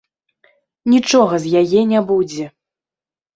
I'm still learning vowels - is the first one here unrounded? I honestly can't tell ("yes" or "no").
yes